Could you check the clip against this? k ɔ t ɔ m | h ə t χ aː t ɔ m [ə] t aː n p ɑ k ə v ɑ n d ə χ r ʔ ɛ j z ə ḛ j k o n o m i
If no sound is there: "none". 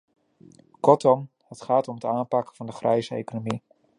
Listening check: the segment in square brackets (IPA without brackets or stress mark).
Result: ə